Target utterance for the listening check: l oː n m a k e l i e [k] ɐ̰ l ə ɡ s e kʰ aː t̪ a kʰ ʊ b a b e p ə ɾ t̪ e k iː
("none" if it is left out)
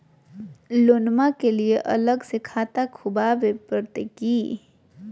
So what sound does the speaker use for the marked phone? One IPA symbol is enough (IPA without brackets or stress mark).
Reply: ʔ